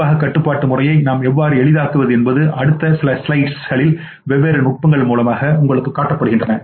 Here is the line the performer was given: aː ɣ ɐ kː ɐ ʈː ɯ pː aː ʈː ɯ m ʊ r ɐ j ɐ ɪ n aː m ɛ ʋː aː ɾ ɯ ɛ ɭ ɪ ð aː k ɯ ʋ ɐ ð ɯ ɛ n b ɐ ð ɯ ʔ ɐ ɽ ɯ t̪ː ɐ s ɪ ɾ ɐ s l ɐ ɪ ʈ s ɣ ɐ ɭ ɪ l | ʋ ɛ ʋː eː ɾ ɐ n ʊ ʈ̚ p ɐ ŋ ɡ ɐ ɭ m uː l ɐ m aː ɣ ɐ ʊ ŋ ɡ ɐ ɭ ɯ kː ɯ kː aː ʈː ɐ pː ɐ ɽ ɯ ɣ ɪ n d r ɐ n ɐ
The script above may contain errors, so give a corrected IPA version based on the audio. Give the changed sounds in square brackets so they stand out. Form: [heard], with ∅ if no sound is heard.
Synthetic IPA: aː ɣ ɐ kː ɐ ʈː ɯ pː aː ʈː ɯ m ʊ r ɐ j ɐ ɪ n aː m ɛ ʋː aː ɾ ɯ ɛ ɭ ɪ ð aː k ɯ ʋ ɐ ð ɯ ɛ n b ɐ ð ɯ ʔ ɐ ɽ ɯ t̪ː ɐ s ɪ [l] ɐ s l ɐ ɪ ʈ s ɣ ɐ ɭ ɪ l | ʋ ɛ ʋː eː ɾ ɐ n ʊ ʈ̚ p ɐ ŋ ɡ ɐ ɭ m uː l ɐ m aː ɣ ɐ ʊ ŋ ɡ ɐ ɭ ɯ kː ɯ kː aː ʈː ɐ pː ɐ ɽ ɯ ɣ ɪ n d r ɐ n ɐ